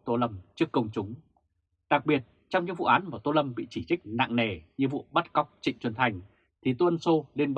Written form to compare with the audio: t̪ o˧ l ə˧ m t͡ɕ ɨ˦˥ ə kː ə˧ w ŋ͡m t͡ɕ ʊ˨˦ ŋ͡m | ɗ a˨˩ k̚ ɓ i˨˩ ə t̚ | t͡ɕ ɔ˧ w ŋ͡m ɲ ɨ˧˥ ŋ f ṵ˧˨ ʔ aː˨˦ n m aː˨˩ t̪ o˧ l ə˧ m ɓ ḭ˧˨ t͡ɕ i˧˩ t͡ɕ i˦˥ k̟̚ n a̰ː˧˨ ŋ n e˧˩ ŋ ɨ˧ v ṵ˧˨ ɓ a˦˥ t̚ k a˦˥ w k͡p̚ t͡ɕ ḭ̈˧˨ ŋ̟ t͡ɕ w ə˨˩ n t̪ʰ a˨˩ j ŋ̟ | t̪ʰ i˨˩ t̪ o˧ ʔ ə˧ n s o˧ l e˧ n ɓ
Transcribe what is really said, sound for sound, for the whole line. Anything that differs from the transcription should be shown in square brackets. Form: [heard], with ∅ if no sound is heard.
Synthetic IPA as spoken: t̪ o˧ l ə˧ m t͡ɕ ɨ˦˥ ə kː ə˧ w ŋ͡m t͡ɕ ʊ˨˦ ŋ͡m | ɗ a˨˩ k̚ ɓ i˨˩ ə t̚ | t͡ɕ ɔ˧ w ŋ͡m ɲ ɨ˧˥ ŋ [v] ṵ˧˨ ʔ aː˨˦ n m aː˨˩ t̪ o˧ l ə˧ m ɓ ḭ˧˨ t͡ɕ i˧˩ t͡ɕ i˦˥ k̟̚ n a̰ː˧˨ ŋ n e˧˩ [ɲ] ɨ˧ v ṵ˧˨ ɓ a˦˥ t̚ k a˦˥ w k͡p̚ t͡ɕ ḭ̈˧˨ ŋ̟ t͡ɕ w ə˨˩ n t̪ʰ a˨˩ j ŋ̟ | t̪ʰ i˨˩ t̪ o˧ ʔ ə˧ n s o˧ l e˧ n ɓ